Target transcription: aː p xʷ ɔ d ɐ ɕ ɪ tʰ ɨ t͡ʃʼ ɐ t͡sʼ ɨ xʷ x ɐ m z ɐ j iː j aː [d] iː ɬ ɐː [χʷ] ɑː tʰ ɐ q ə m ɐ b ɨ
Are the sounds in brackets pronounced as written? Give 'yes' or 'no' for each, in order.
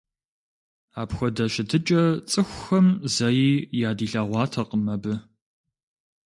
yes, no

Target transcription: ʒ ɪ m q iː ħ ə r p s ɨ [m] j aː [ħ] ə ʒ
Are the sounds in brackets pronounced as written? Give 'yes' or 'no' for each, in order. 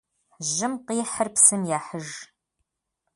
yes, yes

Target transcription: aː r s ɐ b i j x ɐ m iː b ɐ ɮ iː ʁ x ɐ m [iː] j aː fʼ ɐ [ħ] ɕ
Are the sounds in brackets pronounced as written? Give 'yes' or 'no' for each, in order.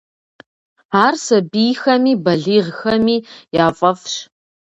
yes, no

